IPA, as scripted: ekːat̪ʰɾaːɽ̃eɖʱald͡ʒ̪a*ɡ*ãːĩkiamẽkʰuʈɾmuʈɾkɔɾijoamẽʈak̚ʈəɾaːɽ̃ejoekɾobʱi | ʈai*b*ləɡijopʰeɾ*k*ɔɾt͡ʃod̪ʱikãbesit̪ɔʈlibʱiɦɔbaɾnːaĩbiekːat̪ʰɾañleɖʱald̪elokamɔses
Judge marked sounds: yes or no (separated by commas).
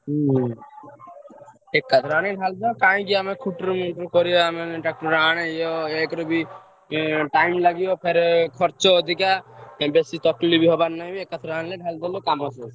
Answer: no, no, no